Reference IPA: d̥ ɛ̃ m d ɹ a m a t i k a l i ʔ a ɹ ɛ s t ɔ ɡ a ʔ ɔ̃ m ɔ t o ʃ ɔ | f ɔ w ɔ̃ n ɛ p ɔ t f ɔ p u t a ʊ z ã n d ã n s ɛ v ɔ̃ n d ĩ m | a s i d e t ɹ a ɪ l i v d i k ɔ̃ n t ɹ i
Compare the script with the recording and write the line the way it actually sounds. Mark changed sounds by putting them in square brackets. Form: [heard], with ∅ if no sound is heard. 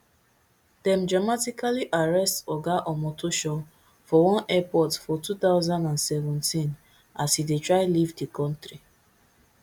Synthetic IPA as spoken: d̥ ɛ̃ m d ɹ a m a t i k a l i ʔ a ɹ ɛ s t ɔ ɡ a ʔ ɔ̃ m ɔ t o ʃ ɔ | f ɔ w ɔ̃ n ɛ p ɔ t f ɔ [t] u t a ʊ z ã n d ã n s ɛ v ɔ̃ n [t] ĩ [n] | a s i d e t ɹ a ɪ l i v d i k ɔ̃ n t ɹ i

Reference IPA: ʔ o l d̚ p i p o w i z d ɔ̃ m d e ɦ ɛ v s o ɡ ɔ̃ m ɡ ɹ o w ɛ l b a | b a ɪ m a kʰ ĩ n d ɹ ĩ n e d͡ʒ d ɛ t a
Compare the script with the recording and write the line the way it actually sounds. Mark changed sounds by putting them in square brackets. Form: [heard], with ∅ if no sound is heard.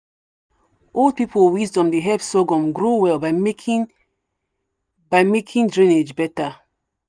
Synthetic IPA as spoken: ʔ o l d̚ p i p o w i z d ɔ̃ m d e ɦ ɛ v s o ɡ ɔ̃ m ɡ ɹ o w ɛ l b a | b a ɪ m [e] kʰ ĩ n d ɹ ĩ n e d͡ʒ [b] ɛ t a

